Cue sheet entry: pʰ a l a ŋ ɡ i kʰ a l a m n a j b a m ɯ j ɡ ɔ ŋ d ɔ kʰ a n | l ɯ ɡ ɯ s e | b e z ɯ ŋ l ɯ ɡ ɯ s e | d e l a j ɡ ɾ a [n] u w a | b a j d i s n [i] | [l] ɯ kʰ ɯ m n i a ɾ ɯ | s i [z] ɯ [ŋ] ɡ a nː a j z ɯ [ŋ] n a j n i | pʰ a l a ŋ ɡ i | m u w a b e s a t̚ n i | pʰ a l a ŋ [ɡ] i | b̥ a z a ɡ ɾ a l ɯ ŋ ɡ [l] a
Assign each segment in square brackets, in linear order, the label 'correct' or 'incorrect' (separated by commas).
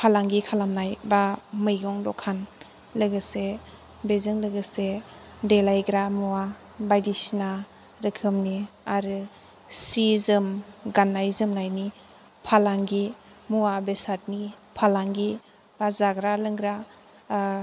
incorrect, incorrect, incorrect, correct, incorrect, incorrect, correct, incorrect